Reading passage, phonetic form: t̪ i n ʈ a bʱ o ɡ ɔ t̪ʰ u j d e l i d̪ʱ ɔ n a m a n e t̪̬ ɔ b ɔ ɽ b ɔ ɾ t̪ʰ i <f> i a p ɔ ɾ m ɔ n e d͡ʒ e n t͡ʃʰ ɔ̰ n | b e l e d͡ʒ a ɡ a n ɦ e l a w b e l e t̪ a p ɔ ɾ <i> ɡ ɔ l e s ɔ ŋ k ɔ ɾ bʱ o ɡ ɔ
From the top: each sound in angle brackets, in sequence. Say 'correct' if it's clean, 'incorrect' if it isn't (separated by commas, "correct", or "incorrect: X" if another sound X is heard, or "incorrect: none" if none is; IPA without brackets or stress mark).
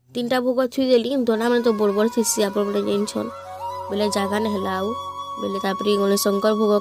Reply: incorrect: s, correct